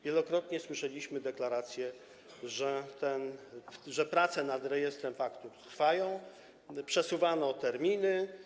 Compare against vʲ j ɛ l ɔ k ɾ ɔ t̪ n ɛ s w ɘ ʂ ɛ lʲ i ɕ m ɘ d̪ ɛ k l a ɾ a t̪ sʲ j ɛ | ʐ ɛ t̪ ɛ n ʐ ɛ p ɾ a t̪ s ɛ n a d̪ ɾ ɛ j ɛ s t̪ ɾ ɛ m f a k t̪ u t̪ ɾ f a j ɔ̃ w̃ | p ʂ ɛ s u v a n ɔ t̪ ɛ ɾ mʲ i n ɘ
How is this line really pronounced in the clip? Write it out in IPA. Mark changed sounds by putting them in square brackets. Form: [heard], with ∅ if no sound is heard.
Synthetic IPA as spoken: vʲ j ɛ l ɔ k ɾ ɔ t̪ [ɲ] ɛ s w ɘ ʂ ɛ lʲ i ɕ m ɘ d̪ ɛ k l a ɾ a t̪ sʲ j ɛ | ʐ ɛ t̪ ɛ n ʐ ɛ p ɾ a t̪ s ɛ n a d̪ ɾ ɛ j ɛ s t̪ ɾ ɛ m f a k t̪ u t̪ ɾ f a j ɔ̃ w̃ | p ʂ ɛ s u v a n ɔ t̪ ɛ ɾ mʲ i n ɘ